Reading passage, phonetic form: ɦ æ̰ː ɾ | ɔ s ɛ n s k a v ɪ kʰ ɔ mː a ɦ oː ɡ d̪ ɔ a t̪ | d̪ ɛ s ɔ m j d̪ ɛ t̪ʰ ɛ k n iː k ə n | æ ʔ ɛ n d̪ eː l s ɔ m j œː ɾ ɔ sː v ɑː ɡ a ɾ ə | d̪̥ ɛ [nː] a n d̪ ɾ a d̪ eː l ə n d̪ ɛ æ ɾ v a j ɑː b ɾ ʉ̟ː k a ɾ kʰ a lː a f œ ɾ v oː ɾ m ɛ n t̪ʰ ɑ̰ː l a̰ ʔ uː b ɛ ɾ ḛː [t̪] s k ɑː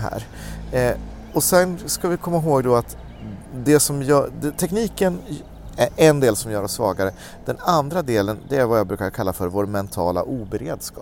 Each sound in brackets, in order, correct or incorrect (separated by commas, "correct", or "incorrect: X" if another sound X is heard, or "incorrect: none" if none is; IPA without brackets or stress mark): incorrect: n, incorrect: d̪